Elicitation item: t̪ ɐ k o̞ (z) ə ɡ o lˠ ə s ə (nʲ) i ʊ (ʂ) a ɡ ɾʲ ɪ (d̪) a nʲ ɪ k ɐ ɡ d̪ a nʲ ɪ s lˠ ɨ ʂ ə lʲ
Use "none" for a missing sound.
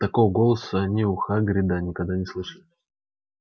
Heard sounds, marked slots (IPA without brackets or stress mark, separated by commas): v, nʲ, x, d̪